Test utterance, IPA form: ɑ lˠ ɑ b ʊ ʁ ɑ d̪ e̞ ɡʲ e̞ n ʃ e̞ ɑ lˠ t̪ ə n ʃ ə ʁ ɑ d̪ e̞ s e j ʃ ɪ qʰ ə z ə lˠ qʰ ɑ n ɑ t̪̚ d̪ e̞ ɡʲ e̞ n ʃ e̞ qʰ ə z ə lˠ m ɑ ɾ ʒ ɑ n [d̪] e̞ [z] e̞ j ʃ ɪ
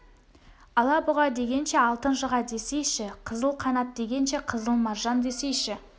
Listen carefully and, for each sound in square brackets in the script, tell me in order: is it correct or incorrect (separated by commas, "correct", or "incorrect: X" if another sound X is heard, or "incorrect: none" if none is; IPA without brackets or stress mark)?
correct, incorrect: s